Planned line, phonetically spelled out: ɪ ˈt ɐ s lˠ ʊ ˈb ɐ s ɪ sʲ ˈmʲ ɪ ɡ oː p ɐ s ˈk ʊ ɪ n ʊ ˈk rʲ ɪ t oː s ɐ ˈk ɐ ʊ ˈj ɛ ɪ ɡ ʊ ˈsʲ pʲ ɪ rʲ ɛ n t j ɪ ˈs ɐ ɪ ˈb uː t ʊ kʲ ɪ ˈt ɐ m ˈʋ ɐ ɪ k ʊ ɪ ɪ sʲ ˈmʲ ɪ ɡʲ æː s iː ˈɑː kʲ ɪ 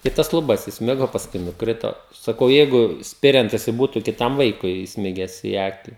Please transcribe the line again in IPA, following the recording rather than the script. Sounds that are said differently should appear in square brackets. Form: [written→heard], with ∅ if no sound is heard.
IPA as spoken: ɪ ˈt ɐ s lˠ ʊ ˈb ɐ s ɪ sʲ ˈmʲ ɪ ɡ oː p ɐ s ˈk ʊ ɪ n ʊ ˈk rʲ ɪ t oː s ɐ ˈk ɐ ʊ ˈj ɛ ɪ ɡ ʊ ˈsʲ pʲ ɪ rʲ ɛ n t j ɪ ˈs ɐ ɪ ˈb uː t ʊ kʲ ɪ ˈt ɐ m ˈʋ ɐ ɪ k ʊ ɪ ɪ sʲ ˈmʲ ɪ ɡʲ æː s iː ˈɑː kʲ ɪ